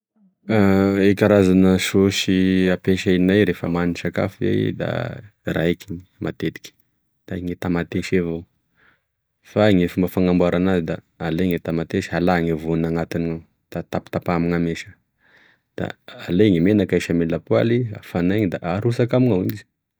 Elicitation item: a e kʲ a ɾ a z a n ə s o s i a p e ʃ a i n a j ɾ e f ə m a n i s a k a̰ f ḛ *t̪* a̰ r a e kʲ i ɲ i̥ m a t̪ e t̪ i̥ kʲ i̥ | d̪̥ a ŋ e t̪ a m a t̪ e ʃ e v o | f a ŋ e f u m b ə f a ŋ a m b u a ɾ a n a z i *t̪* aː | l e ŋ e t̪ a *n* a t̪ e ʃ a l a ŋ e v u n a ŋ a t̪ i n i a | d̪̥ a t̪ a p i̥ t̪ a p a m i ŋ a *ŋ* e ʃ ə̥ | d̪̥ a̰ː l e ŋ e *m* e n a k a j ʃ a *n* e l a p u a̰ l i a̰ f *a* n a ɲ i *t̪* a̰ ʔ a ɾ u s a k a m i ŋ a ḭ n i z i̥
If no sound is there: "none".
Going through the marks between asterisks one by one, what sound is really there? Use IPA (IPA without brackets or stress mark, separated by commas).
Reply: d̪, d̪, m, m, m, m, a, d̪